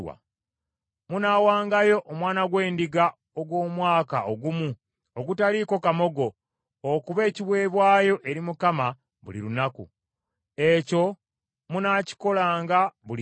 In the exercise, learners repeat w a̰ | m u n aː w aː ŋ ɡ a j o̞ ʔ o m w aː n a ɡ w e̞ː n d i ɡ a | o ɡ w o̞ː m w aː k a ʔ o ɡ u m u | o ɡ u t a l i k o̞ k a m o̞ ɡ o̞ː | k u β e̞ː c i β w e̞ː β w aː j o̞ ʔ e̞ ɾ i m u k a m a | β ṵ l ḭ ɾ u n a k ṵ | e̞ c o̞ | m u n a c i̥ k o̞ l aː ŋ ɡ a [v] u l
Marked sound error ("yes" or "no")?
yes